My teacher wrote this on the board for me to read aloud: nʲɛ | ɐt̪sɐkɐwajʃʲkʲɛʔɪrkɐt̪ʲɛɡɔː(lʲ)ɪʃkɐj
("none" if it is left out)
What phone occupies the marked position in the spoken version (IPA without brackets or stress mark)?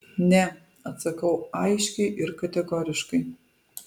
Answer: ɾʲ